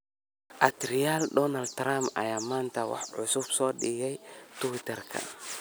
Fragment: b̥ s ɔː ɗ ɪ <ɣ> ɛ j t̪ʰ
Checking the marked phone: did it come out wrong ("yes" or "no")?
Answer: no